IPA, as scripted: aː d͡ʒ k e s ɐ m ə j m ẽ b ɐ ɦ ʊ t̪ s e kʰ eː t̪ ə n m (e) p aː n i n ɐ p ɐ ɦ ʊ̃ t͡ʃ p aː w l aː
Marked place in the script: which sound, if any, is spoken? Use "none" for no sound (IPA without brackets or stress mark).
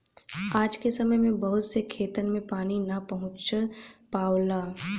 ẽ